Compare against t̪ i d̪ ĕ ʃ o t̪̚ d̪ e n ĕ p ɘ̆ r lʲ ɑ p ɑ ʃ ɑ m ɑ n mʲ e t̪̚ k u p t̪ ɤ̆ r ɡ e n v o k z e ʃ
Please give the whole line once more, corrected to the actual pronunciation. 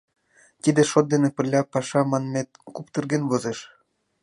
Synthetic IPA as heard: t̪ i d̪ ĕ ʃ o t̪̚ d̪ e n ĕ p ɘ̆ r lʲ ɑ p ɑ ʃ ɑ m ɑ n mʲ e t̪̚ k u p t̪ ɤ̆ r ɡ e n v o z e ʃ